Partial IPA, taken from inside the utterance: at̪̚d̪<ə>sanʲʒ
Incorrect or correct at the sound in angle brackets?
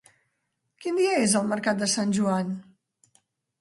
correct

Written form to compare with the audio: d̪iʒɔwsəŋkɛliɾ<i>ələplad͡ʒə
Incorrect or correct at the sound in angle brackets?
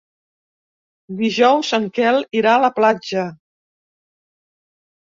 incorrect: a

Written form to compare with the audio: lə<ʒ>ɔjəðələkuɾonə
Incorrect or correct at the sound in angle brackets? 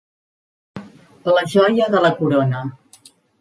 correct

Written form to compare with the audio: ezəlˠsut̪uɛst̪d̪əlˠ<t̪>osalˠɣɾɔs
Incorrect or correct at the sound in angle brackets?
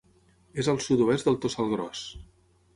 correct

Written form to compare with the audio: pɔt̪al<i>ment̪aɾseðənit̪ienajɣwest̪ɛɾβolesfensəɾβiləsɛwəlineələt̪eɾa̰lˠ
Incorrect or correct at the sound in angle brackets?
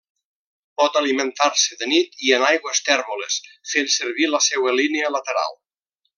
correct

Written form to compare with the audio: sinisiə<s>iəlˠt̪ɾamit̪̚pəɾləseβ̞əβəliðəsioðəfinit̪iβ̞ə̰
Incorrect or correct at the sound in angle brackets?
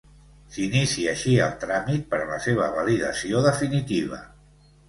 incorrect: ʃ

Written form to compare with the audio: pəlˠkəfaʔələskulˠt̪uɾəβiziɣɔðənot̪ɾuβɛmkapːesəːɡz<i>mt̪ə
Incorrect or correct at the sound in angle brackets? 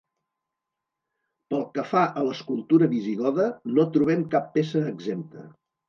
incorrect: e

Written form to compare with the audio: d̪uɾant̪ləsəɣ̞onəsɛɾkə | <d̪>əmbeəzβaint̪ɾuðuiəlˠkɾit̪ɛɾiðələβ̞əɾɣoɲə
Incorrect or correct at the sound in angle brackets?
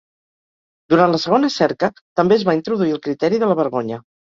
incorrect: t̪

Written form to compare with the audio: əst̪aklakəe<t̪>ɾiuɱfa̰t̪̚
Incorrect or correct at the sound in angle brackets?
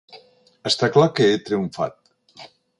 correct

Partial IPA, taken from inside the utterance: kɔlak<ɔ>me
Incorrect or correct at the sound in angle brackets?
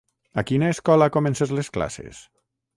incorrect: o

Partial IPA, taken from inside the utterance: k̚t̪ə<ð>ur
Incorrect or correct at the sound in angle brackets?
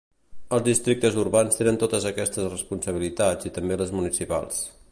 incorrect: z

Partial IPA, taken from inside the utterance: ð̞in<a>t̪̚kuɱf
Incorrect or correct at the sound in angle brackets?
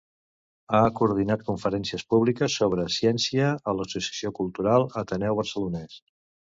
correct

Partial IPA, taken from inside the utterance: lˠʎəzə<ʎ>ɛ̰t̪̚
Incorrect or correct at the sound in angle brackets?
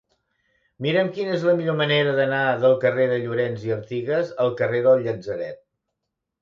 incorrect: ɾ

